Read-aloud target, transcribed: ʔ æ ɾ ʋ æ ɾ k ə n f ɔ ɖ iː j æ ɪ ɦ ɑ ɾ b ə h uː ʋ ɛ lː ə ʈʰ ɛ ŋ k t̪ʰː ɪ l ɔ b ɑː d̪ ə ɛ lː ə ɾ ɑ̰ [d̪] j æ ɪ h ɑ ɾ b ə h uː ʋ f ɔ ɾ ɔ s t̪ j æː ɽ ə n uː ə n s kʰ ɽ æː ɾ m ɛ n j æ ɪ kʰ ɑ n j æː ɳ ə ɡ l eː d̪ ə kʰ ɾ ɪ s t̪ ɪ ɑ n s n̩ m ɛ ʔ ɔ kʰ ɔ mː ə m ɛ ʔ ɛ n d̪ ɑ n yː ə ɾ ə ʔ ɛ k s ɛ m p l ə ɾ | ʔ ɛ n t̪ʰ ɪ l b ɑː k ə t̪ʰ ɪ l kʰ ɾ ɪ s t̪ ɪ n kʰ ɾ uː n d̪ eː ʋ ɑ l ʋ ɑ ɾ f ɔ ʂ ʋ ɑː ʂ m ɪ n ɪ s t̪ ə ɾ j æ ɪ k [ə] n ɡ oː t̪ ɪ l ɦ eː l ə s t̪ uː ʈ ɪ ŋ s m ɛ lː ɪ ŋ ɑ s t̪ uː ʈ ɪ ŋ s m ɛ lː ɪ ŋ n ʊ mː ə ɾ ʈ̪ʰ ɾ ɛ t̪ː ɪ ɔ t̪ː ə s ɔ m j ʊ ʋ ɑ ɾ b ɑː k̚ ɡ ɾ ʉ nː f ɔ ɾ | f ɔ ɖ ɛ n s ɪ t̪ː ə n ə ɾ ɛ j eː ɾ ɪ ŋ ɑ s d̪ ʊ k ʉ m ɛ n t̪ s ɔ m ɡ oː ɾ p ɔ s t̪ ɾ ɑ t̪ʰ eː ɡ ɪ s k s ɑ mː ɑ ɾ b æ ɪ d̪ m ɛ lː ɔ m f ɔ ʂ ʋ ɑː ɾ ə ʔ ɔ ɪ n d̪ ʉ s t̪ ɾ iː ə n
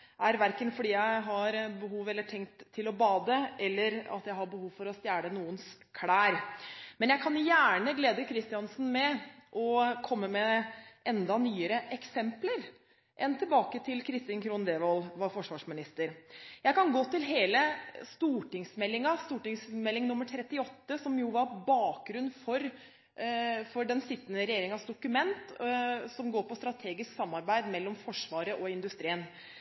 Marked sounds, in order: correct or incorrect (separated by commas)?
incorrect, incorrect